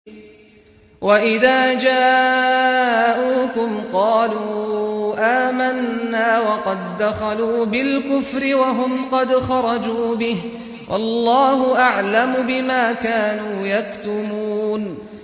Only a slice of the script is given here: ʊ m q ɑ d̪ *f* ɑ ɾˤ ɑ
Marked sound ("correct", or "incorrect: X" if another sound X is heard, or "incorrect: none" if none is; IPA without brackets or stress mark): incorrect: x